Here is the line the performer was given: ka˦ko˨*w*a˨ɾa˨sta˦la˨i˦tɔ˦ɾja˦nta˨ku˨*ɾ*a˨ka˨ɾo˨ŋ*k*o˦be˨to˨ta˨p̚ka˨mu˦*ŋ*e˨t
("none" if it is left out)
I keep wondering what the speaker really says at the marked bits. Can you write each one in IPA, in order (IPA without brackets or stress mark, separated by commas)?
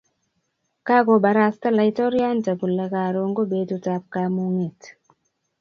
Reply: b, l, ɡ, ŋ